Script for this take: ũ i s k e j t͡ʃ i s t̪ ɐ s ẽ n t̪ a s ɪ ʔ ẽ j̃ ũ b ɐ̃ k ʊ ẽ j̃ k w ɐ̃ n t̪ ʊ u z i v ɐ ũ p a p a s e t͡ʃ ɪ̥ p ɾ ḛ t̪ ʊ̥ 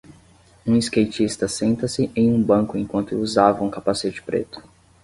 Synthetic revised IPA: ũ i s k e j t͡ʃ i s t̪ ɐ s ẽ n t̪ ɐ s ɪ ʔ ẽ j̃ ũ b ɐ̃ k ʊ ẽ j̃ k w ɐ̃ n t̪ ʊ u z a v ɐ ũ k a p a s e t͡ʃ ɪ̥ p ɾ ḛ t̪ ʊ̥